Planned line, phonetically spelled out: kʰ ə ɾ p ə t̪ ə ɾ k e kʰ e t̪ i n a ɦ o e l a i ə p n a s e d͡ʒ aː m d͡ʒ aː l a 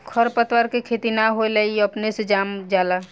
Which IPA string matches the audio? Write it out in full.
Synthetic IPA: kʰ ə ɾ p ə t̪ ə ɾ k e kʰ e t̪ i n a ɦ o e l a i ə p n e s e d͡ʒ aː m d͡ʒ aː l a